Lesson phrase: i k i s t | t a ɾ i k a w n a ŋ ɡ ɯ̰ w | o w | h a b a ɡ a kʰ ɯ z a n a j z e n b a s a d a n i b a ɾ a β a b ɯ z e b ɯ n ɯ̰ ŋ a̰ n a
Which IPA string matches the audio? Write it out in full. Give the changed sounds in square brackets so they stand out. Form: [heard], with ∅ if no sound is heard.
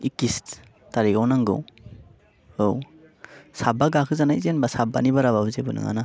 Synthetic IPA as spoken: i k i s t | t a ɾ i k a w n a ŋ ɡ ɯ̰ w | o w | [s] a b a ɡ a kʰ ɯ z a n a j z e n b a s a [b] a n i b a ɾ a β a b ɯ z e b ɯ n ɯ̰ ŋ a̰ n a